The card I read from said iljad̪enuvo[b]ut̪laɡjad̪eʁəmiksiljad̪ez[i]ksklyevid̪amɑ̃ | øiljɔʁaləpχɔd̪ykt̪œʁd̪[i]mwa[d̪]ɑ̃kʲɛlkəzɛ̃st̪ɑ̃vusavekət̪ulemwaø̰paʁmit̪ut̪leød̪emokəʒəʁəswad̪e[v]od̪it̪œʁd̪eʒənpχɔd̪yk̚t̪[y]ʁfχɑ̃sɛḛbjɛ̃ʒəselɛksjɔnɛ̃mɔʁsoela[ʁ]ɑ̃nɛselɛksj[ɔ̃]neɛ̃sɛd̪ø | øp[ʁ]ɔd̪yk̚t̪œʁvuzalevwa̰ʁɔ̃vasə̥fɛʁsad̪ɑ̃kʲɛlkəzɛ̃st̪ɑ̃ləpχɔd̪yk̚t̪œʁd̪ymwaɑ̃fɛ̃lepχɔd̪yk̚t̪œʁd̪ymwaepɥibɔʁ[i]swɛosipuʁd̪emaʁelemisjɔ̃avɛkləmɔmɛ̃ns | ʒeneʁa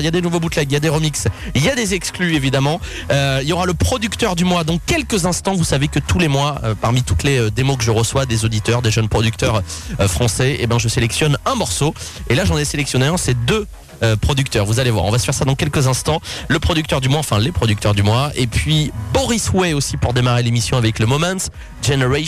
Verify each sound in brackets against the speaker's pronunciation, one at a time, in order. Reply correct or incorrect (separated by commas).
correct, incorrect, incorrect, correct, incorrect, incorrect, incorrect, incorrect, incorrect, correct